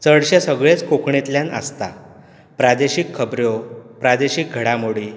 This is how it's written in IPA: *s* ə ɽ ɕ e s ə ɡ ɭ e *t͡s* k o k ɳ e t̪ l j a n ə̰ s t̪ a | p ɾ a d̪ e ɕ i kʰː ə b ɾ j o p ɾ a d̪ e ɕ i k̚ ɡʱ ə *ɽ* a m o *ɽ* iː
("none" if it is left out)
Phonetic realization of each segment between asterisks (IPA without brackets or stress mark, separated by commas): t͡s, t͡s, ɽ, ɽ